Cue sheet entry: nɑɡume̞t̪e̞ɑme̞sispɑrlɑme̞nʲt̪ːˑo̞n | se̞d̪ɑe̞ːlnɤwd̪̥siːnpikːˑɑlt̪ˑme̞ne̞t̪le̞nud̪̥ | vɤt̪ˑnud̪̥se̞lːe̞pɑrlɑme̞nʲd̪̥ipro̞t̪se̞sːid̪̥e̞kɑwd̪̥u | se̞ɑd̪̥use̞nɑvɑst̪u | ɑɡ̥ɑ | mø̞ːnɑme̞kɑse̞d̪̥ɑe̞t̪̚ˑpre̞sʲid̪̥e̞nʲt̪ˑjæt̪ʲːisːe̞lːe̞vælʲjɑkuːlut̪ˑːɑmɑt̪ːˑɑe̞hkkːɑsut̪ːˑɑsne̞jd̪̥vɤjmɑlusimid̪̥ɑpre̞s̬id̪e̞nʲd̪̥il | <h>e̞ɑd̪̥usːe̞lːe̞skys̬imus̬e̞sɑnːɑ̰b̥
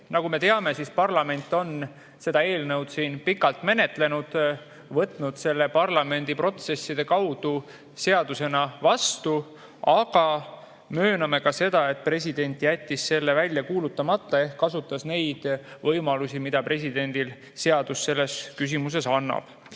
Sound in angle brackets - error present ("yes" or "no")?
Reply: yes